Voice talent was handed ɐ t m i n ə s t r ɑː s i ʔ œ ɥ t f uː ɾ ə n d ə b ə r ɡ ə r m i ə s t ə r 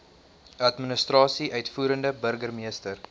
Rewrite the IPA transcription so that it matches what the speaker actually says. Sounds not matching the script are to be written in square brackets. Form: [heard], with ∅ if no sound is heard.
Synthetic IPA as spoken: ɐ t m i n ə s t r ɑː s i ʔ œ ɥ t f uː ɾ ə n d ə b ə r ɡ ə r m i ə s t ə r